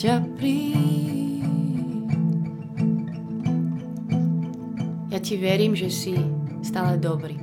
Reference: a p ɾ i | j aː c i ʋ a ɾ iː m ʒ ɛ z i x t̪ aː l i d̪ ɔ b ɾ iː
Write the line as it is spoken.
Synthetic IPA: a p ɾ i | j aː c i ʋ ɛ ɾ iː m ʒ ɛ s i s t̪ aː l ɛ d̪ ɔ b ɾ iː